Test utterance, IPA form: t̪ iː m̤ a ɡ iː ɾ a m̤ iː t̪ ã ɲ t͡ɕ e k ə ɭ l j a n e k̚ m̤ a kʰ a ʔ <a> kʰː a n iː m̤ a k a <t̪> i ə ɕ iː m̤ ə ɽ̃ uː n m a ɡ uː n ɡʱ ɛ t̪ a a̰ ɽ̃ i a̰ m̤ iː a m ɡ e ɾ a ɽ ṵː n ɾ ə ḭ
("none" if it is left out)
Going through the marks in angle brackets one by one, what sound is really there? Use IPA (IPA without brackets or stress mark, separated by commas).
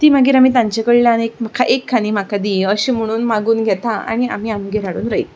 e, d̪